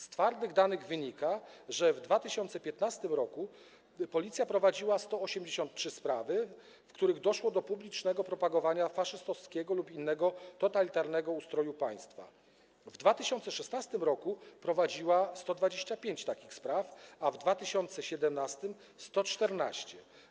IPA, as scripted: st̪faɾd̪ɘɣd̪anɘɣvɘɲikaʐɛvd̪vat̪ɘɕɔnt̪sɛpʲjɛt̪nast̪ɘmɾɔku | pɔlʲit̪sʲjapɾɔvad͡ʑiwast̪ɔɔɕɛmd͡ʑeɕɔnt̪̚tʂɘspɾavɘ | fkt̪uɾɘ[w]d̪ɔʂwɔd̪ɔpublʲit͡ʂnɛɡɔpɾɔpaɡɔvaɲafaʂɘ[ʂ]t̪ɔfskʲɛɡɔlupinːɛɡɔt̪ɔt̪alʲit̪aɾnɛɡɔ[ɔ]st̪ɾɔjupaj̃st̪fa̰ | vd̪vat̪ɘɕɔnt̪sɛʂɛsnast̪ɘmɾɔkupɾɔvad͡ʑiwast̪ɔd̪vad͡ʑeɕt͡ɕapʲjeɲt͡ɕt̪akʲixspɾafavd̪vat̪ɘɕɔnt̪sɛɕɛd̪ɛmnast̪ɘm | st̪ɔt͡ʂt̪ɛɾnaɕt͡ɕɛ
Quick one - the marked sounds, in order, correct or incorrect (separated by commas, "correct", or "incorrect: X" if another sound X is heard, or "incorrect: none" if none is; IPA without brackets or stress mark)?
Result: incorrect: ɣ, incorrect: s, incorrect: u